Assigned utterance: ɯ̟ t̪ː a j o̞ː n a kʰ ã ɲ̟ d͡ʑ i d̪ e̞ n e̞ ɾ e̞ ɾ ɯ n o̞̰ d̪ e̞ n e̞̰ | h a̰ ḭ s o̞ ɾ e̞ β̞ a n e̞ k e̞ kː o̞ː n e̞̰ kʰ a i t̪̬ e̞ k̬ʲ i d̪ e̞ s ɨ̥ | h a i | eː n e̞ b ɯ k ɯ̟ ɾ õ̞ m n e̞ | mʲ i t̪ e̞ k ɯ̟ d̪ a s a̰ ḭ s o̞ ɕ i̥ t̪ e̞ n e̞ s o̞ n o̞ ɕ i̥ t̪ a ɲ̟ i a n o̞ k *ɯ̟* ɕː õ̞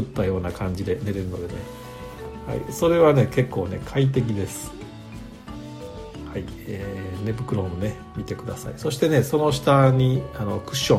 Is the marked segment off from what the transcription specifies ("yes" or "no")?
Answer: no